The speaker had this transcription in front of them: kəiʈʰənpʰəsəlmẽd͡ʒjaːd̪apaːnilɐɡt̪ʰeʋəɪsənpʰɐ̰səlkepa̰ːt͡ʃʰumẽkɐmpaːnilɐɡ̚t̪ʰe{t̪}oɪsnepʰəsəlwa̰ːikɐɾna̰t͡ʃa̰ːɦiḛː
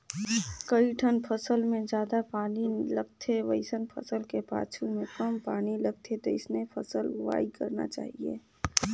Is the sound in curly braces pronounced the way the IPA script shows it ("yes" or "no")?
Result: yes